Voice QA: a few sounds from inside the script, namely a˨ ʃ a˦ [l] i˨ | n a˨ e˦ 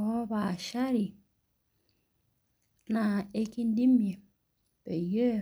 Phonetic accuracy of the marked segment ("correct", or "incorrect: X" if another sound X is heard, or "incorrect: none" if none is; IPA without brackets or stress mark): incorrect: ɾ